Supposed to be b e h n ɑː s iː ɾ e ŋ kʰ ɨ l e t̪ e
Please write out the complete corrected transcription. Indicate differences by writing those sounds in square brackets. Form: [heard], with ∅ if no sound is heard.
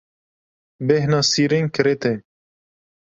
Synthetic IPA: b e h n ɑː s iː ɾ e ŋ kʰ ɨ [ɾ] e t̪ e